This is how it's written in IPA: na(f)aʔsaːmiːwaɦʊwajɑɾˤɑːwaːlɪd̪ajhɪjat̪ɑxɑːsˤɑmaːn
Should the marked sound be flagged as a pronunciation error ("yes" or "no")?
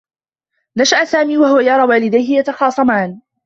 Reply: yes